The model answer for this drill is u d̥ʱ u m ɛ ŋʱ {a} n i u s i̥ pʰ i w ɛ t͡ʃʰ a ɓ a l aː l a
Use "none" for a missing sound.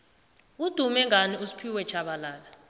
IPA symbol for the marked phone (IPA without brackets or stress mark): a